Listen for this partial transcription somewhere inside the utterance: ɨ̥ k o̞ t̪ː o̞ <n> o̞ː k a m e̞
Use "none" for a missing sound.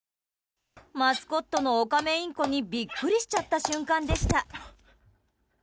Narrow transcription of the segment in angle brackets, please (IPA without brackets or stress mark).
n